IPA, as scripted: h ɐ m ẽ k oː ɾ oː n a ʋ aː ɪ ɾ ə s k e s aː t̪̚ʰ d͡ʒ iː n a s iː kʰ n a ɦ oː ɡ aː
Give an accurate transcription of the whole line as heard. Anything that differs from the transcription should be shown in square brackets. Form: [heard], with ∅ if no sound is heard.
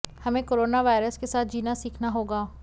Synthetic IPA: h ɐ m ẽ k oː ɾ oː n a ʋ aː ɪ ɾ ə s k e s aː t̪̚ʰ d͡ʒ iː n a s iː kʰ n a ɦ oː ɡ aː

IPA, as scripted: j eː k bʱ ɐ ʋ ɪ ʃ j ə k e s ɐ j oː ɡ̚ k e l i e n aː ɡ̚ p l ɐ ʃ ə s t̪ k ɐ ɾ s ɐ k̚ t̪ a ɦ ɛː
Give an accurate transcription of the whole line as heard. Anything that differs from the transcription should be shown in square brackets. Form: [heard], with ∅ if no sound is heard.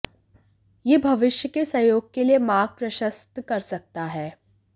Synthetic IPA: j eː [∅] bʱ ɐ ʋ ɪ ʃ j ə k e s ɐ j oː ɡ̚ k e l i e [m] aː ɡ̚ p [ɾ] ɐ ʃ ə s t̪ k ɐ ɾ s ɐ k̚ t̪ a ɦ ɛː

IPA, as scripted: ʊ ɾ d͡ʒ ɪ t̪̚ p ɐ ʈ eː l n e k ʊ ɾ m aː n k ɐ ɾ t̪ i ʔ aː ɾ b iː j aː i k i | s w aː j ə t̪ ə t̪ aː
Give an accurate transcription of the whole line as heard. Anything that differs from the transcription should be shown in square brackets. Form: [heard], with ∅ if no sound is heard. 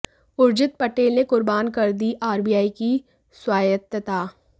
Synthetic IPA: ʊ ɾ d͡ʒ ɪ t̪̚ p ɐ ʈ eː l n e k ʊ ɾ [b] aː n k ɐ ɾ [d̪] i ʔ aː ɾ b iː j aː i k i | s w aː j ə t̪ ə t̪ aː

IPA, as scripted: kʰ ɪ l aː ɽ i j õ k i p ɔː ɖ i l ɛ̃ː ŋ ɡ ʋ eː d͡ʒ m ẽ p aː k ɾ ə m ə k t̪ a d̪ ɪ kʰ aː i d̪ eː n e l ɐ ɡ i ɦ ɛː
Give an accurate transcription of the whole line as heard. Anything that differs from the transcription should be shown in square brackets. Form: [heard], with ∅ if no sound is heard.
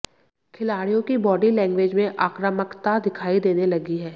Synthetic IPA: kʰ ɪ l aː ɽ i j õ k i [b] ɔː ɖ i l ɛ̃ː ŋ ɡ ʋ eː d͡ʒ m ẽ [ʔ] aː k ɾ ə m ə k t̪ a d̪ ɪ kʰ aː i d̪ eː n e l ɐ ɡ i ɦ ɛː

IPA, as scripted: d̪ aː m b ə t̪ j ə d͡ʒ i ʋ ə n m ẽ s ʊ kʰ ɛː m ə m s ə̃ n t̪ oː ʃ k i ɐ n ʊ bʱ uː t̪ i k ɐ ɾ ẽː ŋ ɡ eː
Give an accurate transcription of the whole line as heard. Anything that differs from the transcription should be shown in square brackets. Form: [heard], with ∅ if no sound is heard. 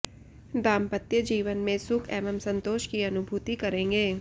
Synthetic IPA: d̪ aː m [p] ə t̪ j ə d͡ʒ [iː] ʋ ə n m ẽ s ʊ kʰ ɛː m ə m s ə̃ n t̪ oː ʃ k i ɐ n ʊ bʱ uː t̪ i k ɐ ɾ ẽː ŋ ɡ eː

